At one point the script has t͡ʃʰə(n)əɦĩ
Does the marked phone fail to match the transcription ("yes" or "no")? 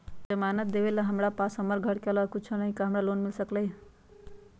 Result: no